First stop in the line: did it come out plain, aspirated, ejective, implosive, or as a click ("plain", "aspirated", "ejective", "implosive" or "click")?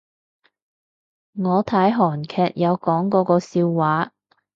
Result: aspirated